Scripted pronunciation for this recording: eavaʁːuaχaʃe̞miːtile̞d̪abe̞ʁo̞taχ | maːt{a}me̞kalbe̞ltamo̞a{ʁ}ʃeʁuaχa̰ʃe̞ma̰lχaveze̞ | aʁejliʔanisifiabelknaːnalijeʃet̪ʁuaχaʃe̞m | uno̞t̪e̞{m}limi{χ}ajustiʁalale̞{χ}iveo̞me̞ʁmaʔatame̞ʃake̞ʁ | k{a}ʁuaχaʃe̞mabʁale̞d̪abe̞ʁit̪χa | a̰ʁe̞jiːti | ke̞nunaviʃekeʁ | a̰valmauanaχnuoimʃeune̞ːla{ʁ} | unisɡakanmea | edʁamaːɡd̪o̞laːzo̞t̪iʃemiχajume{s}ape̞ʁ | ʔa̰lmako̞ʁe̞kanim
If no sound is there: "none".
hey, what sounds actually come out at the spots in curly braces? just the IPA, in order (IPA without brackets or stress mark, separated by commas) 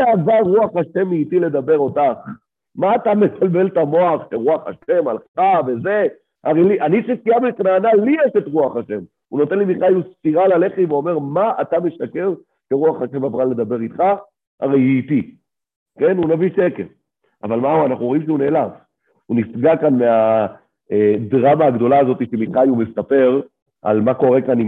a, χ, n, χ, χ, e, v, s